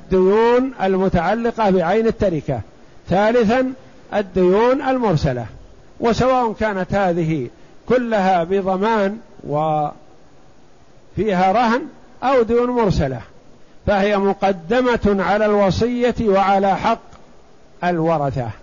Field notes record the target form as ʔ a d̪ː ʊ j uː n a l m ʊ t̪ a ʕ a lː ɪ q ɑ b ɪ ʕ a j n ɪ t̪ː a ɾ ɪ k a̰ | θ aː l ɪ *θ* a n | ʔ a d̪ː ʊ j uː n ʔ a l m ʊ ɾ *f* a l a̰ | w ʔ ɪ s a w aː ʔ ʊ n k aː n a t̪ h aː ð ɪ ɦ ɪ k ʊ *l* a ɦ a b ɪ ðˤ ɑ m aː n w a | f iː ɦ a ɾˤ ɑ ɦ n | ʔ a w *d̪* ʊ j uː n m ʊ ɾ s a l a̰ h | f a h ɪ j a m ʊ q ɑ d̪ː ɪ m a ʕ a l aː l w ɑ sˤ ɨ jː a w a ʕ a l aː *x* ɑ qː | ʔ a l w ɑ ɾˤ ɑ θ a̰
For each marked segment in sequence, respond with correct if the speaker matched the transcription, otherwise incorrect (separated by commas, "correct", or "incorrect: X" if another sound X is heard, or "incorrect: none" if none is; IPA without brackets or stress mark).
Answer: correct, incorrect: s, incorrect: lː, correct, incorrect: ħ